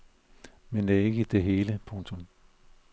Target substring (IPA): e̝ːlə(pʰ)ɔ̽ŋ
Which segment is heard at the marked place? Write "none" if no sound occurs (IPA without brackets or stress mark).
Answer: pʰ